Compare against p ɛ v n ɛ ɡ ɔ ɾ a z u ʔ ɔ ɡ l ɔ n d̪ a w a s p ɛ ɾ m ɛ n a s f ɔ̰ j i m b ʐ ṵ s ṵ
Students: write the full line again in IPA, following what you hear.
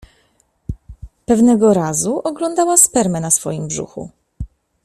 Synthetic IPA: p ɛ v n ɛ ɡ ɔ ɾ a z u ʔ ɔ ɡ l ɔ n d̪ a w a s p ɛ ɾ m ɛ n a s f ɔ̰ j i m b ʐ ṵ x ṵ